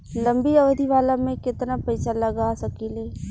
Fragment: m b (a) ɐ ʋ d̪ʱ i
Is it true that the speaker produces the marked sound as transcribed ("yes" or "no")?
no